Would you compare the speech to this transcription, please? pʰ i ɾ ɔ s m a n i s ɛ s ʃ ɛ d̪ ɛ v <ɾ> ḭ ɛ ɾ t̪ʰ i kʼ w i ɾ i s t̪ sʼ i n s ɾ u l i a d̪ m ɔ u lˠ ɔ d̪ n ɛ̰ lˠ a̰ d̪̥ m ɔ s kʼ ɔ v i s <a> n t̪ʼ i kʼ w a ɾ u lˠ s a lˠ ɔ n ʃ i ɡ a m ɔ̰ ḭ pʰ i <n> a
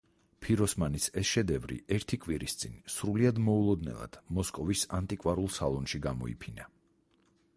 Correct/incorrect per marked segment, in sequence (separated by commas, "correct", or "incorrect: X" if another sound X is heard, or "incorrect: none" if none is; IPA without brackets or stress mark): correct, correct, correct